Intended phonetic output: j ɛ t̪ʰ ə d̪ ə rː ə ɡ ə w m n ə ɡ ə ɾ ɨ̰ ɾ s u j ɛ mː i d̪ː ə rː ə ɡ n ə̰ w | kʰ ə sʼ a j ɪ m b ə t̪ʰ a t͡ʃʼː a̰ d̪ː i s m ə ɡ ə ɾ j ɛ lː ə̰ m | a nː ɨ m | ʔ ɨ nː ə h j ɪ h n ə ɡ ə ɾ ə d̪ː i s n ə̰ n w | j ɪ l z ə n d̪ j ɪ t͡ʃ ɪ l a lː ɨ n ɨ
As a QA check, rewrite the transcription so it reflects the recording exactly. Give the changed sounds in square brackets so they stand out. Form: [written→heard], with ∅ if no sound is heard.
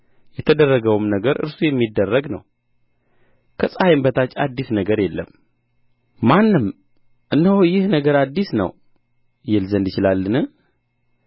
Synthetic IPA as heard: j ɛ t̪ʰ ə d̪ ə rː ə ɡ ə w m n ə ɡ ə ɾ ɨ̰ ɾ s u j ɛ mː i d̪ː ə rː ə ɡ n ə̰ w | kʰ ə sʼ a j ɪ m b ə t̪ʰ a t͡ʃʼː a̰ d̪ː i s [m→n] ə ɡ ə ɾ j ɛ lː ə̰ m | a nː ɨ m | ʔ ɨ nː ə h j ɪ h n ə ɡ ə ɾ [ə→a] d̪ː i s n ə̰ [n→∅] w | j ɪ l z ə n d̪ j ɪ t͡ʃ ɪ l a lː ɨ n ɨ